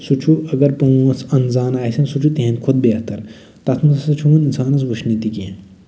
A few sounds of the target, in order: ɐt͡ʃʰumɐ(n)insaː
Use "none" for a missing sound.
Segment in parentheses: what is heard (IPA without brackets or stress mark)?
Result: n